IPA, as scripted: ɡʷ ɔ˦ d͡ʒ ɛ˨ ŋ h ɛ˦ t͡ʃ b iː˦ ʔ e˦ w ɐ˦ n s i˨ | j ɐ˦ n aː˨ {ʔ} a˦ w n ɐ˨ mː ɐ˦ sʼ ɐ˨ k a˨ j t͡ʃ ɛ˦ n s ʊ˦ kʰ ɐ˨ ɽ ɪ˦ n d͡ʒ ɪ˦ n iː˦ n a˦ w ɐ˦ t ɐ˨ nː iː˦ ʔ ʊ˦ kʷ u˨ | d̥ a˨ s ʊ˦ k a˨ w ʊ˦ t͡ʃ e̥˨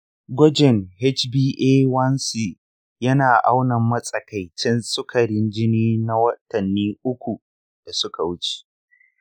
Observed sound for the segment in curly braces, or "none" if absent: ʔ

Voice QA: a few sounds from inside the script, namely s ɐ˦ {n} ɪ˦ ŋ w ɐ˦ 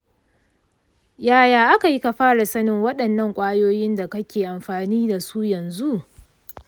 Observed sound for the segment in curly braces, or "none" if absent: n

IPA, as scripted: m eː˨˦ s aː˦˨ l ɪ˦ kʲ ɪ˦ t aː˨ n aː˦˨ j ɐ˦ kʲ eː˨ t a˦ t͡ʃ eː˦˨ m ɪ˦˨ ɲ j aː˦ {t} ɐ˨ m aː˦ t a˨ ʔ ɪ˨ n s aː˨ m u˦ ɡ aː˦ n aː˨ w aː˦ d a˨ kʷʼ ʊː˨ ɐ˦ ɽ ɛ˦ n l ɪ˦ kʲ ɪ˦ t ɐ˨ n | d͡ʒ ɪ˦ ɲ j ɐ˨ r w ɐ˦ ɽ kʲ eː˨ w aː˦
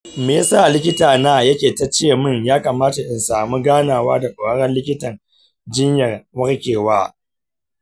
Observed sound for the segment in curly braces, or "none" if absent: k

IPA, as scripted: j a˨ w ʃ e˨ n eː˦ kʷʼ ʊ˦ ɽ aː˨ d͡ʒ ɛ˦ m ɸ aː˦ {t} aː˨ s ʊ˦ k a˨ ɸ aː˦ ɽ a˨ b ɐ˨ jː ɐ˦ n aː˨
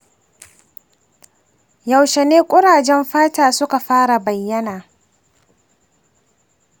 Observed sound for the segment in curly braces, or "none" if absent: t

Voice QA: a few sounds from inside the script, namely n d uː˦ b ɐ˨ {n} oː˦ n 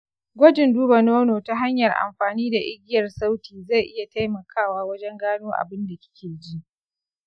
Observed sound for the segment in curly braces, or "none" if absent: n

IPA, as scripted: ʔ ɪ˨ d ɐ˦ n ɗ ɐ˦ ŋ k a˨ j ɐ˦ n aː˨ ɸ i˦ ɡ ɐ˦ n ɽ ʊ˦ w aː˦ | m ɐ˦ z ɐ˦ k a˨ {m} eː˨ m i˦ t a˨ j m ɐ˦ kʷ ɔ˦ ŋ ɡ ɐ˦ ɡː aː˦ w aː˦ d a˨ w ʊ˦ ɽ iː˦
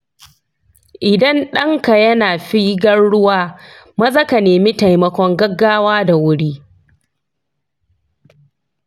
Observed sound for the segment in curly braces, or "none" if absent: n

